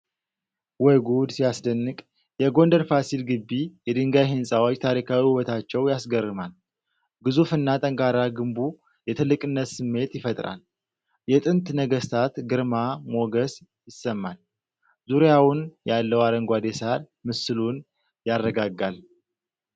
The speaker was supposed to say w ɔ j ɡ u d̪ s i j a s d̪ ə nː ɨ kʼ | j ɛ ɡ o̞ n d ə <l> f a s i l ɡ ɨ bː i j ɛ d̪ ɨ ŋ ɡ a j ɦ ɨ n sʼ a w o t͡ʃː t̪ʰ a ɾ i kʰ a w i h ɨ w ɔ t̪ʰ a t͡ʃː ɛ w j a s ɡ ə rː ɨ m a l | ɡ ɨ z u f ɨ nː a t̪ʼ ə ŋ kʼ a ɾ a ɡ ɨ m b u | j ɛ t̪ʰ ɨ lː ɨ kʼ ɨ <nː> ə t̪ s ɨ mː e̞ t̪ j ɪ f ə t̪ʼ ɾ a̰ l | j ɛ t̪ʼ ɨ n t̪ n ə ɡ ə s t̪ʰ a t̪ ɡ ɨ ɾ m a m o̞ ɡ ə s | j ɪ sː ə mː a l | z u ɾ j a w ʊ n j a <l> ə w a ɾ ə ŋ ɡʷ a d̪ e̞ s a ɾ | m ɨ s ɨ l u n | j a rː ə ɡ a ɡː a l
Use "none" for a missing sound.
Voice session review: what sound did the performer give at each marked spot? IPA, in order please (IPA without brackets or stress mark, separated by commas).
ɾ, nː, lː